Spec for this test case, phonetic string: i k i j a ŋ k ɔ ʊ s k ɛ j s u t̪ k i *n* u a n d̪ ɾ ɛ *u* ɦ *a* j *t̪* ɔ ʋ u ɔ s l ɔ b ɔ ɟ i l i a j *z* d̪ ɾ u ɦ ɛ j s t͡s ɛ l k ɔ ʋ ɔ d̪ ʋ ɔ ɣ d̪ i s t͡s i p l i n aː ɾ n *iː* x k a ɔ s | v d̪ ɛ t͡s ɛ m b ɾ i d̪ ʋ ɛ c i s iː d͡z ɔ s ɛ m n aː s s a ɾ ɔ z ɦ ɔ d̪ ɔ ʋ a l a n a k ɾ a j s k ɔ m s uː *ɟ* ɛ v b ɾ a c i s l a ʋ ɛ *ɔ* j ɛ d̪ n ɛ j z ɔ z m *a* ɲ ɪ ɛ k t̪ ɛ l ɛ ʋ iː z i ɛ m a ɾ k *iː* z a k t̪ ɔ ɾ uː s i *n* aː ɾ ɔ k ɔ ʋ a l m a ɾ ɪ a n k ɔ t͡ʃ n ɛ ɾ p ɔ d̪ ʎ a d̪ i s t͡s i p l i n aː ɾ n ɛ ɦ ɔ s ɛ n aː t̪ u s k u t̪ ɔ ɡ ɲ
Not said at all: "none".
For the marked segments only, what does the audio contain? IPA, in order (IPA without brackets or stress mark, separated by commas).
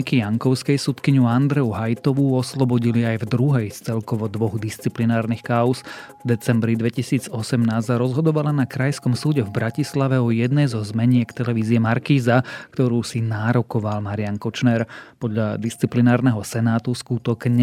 ɲ, u, a, t̪, v, i, ɟ, ɔ, ɛ, iː, n